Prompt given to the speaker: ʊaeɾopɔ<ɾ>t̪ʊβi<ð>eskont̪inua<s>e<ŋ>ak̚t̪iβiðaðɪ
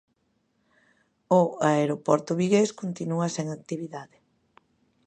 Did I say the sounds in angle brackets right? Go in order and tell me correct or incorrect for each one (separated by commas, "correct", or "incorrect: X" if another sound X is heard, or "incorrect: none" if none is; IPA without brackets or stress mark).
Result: correct, incorrect: ɣ, correct, correct